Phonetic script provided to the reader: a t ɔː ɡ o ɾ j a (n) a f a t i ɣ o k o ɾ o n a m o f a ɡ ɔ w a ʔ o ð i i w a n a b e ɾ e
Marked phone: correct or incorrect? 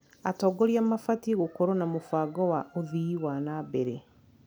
incorrect